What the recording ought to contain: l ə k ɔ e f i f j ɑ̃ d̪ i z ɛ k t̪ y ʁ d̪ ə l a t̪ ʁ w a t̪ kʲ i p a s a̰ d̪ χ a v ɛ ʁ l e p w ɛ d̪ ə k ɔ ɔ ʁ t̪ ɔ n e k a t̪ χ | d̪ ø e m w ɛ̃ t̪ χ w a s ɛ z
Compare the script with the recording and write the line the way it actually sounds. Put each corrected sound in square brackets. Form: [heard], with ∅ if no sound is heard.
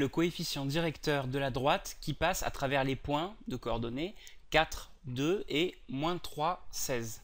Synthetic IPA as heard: l ə k ɔ e f i [s] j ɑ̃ d̪ i [ʁ] ɛ k t̪ [œ] ʁ d̪ ə l a [d̪] ʁ w a t̪ kʲ i p a s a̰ [t̪] χ a v ɛ ʁ l e p w [ɛ̃] d̪ ə k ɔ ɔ ʁ [d̪] ɔ n e k a t̪ χ | d̪ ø e m w ɛ̃ t̪ χ w a s ɛ z